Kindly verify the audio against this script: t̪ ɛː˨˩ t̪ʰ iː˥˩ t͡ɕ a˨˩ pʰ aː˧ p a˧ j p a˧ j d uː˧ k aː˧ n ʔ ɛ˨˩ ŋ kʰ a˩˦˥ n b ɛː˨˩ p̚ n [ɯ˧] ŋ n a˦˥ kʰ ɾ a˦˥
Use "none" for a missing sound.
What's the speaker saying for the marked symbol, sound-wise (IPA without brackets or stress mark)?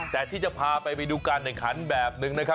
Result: ɯ˧